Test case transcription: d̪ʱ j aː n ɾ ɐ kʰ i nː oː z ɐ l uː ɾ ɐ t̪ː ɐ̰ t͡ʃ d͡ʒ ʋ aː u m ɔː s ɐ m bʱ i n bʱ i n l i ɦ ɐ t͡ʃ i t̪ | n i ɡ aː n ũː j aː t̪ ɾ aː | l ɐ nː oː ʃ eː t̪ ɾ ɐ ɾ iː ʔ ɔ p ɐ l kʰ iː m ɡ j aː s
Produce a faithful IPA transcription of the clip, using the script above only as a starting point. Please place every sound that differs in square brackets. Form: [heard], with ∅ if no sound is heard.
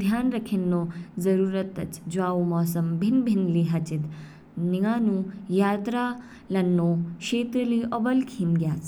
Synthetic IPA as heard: d̪ʱ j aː n ɾ ɐ kʰ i nː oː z ɐ [ɾ] uː ɾ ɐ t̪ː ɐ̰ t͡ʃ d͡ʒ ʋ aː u m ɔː s ɐ m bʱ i n bʱ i n l i ɦ ɐ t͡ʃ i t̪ | n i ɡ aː n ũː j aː t̪ ɾ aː | l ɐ nː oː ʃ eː t̪ ɾ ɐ [l] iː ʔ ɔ [b] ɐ l kʰ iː m ɡ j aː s